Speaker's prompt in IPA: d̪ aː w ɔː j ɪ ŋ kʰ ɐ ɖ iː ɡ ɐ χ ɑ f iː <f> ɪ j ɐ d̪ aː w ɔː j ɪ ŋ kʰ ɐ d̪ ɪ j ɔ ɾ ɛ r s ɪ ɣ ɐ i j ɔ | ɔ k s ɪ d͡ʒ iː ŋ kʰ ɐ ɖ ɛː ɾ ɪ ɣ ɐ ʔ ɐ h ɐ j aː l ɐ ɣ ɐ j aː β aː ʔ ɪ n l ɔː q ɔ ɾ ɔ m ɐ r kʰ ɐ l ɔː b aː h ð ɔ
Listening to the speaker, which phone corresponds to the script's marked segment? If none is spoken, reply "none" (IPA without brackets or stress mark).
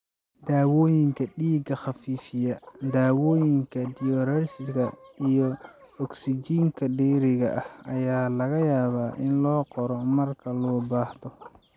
f